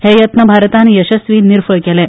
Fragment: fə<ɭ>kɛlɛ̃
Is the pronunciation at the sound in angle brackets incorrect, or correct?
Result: correct